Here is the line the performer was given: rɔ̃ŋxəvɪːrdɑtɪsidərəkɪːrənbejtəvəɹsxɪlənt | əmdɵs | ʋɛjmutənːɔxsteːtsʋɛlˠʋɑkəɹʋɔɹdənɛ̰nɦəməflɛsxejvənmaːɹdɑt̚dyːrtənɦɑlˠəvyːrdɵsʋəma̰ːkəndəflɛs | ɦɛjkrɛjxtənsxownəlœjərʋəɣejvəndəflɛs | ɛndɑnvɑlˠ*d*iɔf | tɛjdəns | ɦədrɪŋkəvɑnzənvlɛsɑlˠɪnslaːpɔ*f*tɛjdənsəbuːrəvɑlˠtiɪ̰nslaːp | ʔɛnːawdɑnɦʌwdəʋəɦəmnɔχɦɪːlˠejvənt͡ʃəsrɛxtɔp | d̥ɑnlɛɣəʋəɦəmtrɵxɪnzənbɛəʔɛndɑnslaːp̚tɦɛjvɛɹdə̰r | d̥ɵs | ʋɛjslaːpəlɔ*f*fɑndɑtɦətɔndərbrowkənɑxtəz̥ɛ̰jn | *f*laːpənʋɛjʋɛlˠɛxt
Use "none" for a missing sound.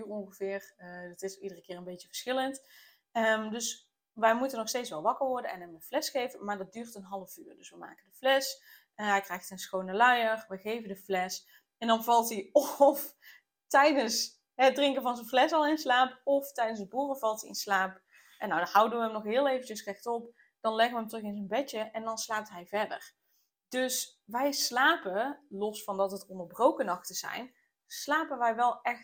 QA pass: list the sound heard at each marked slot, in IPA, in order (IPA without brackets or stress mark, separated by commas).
t, f, s, s